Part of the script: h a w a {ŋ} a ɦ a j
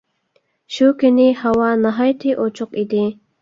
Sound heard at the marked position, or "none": n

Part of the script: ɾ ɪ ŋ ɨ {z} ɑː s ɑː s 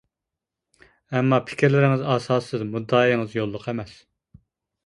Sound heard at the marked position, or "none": z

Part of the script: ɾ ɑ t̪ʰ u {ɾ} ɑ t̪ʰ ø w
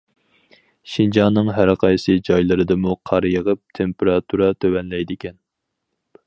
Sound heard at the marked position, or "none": ɾ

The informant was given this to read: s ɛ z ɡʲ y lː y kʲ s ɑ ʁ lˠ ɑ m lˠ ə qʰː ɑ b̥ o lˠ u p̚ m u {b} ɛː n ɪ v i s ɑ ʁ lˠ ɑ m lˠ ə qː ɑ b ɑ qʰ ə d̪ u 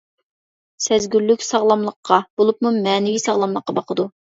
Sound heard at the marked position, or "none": m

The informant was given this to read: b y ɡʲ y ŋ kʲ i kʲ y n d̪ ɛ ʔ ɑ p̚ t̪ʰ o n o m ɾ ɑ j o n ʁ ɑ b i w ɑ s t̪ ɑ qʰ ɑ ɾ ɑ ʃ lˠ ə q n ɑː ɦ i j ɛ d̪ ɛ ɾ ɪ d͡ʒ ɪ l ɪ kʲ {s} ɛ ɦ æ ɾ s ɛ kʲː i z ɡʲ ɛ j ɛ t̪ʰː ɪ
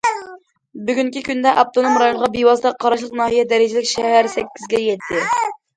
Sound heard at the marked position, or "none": ʃ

